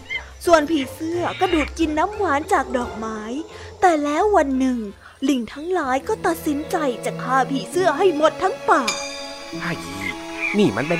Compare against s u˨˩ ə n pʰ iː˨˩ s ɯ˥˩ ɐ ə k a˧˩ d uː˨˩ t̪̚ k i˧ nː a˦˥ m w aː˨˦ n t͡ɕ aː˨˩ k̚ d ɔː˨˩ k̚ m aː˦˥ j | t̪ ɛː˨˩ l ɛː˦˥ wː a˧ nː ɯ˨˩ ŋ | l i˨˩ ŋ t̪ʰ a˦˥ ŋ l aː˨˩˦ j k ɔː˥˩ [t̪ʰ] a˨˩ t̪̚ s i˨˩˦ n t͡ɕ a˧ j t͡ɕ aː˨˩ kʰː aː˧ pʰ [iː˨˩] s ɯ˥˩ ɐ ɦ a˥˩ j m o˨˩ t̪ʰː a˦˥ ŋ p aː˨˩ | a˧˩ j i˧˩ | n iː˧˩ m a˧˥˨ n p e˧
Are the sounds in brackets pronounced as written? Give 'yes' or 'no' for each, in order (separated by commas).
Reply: no, yes